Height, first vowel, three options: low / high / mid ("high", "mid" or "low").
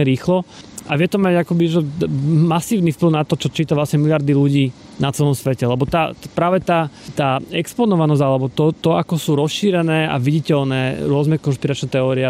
high